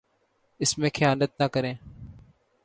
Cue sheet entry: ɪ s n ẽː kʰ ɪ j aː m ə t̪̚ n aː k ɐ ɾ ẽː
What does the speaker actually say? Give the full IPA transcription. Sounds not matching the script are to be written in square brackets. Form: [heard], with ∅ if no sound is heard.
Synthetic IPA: ɪ s [m] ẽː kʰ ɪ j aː [n] ə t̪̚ n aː k [ə] ɾ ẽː